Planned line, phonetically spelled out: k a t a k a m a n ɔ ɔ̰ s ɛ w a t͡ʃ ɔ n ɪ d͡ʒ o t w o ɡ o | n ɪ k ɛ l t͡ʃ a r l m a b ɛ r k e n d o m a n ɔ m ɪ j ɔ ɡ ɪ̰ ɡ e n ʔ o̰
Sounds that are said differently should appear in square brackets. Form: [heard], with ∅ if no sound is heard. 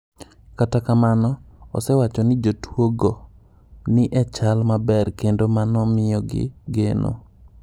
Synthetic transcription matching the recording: k a t a k a m a n ɔ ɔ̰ s ɛ w a t͡ʃ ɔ n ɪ d͡ʒ o t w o ɡ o | n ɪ [ʔ] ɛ [∅] t͡ʃ a [∅] l m a b ɛ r k e n d o m a n ɔ m ɪ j ɔ ɡ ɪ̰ ɡ e n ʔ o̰